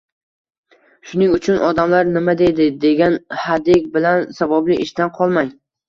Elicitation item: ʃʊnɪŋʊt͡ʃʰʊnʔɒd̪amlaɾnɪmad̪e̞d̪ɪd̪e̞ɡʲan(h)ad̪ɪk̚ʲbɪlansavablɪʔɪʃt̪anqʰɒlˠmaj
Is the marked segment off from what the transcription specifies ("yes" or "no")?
no